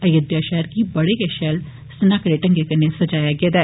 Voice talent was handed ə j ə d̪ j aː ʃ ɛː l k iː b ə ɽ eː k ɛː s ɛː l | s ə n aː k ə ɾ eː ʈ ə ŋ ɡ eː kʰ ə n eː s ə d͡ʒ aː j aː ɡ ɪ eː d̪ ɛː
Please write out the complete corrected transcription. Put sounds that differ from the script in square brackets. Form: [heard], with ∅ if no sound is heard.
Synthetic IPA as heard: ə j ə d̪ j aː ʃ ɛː [ɾ] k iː b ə ɽ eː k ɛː [ʃ] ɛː l | s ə n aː k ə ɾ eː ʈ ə ŋ ɡ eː [k] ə n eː s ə d͡ʒ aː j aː ɡ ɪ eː d̪ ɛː